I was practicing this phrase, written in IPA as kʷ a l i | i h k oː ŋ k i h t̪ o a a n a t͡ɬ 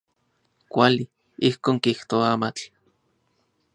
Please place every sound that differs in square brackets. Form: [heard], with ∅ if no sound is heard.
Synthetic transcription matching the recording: kʷ a l i | i h k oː ŋ k i h t̪ o a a [m] a t͡ɬ

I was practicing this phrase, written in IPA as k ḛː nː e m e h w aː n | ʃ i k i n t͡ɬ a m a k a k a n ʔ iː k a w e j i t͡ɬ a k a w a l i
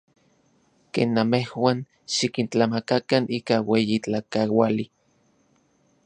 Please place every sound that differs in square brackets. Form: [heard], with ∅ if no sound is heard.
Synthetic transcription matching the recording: k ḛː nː [a] m e h w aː n | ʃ i k i n t͡ɬ a m a k a k a n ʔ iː k a w e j i t͡ɬ a k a w a l i

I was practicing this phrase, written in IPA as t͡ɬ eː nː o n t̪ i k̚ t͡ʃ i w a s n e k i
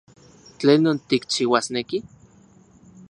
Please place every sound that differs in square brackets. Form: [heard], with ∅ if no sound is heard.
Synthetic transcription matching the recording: t͡ɬ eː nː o n t̪ i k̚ t͡ʃ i w a s n e k i

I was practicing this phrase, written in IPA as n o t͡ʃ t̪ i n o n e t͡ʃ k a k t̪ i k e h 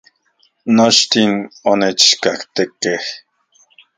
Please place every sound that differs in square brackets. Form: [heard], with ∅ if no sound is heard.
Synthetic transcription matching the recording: n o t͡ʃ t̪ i n o n e t͡ʃ k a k t̪ [e] k e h

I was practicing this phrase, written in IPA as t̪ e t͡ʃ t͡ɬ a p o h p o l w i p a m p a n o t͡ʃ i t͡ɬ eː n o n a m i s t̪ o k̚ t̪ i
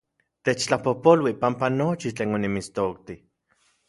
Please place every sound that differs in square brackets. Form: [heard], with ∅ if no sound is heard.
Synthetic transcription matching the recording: t̪ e t͡ʃ t͡ɬ a p o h p o l w i p a m p a n o t͡ʃ i t͡ɬ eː n o n [i] m i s t̪ o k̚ t̪ i

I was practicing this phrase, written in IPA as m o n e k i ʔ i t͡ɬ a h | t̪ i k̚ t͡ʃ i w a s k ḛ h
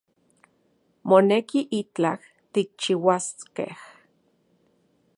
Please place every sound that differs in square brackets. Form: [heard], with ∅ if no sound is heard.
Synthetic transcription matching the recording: m o n e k i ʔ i t͡ɬ a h | t̪ i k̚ t͡ʃ i w a s k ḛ h

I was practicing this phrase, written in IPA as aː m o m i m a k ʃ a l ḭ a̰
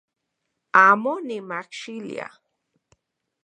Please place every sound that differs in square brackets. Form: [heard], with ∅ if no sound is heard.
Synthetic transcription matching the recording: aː m o [n] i m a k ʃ [i] l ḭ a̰

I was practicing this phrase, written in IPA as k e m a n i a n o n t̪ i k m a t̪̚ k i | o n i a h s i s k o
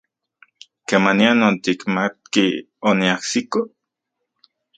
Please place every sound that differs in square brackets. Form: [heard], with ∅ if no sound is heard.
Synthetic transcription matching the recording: k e m a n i a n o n t̪ i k m a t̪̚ k i | o n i a h s i [∅] k o

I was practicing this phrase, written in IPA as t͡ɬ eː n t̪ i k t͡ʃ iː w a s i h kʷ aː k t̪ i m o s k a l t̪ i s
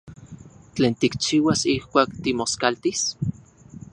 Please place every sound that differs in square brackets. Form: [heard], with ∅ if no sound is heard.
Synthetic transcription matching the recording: t͡ɬ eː n t̪ i k t͡ʃ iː w a s i h kʷ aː k t̪ i m o s k a l t̪ i s

